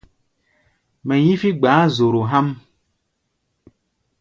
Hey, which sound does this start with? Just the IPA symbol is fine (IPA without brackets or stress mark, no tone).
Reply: m